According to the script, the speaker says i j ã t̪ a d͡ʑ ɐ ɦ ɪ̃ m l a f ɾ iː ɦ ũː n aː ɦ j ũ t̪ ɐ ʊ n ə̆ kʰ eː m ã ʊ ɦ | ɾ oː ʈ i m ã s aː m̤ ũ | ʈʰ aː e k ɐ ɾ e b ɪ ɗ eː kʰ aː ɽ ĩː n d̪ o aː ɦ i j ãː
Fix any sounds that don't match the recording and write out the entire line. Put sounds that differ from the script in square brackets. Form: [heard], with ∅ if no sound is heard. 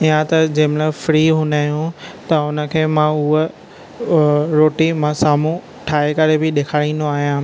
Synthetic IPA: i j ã t̪ [ɐ] d͡ʑ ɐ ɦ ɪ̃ m l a f ɾ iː ɦ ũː n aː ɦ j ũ t̪ ɐ ʊ n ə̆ kʰ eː m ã ʊ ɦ | ɾ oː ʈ i m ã s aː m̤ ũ | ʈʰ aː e k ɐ ɾ e b ɪ ɗ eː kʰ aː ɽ ĩː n d̪ o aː ɦ i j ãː

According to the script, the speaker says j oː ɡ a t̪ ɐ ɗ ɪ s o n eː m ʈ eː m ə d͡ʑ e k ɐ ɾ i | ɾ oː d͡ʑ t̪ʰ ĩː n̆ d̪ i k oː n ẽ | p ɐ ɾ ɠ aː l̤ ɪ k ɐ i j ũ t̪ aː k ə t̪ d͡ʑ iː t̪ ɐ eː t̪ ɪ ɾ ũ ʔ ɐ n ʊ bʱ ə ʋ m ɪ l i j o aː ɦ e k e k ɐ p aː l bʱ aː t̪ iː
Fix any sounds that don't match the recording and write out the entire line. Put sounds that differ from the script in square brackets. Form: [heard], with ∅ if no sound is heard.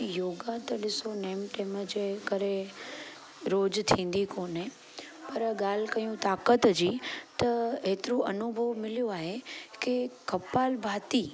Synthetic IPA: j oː ɡ a t̪ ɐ ɗ ɪ s o n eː m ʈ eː m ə d͡ʑ e k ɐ ɾ [e] | ɾ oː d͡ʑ t̪ʰ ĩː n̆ d̪ i k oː n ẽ | p ɐ ɾ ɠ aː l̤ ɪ k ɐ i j ũ t̪ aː k ə t̪ d͡ʑ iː t̪ ɐ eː t̪ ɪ ɾ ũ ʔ ɐ n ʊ bʱ ə ʋ m ɪ l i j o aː ɦ e k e k ɐ p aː l bʱ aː t̪ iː

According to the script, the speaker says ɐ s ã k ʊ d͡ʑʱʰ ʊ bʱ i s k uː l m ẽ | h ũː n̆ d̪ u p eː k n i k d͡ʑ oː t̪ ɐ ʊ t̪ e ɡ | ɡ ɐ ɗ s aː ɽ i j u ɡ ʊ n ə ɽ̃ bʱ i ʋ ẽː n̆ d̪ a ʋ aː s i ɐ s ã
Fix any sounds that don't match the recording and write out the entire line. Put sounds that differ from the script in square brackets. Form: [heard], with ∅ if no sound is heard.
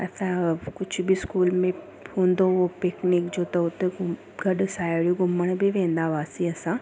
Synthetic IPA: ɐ s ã k ʊ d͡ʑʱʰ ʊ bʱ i s k uː l m ẽ | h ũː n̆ d̪ [o] p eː k n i k d͡ʑ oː t̪ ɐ ʊ t̪ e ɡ | ɡ ɐ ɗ s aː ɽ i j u ɡ ʊ [m] ə ɽ̃ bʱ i ʋ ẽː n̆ d̪ a ʋ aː s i ɐ s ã

